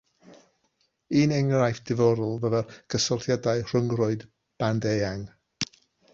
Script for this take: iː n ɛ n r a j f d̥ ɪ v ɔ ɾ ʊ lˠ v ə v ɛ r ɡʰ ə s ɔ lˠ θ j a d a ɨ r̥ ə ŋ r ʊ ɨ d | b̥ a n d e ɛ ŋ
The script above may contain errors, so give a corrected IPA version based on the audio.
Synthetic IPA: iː n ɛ ŋ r a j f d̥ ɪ v ɔ ɾ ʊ lˠ v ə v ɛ r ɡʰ ə s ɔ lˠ θ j a d a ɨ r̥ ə ŋ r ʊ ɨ d | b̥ a n d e a ŋ